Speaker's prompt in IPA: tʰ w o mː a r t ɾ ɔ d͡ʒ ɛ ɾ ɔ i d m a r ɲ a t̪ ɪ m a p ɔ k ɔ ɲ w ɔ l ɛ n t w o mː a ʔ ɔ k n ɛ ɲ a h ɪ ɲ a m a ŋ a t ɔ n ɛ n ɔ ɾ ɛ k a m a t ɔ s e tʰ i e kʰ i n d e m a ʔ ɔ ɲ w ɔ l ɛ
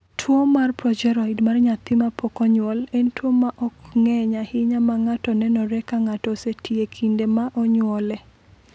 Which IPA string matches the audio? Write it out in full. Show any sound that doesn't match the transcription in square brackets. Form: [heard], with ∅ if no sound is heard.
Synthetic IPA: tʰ w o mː a r [p] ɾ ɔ d͡ʒ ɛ ɾ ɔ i d m a r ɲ a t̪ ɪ m a p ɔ k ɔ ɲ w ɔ l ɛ n t w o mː a ʔ ɔ k [ŋ] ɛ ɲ a h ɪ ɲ a m a ŋ a t ɔ n ɛ n ɔ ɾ ɛ k a [ŋ] a t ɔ s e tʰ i e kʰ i n d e m a ʔ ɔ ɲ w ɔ l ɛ